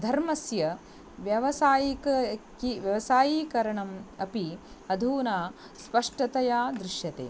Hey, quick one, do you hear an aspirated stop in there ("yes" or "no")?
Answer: no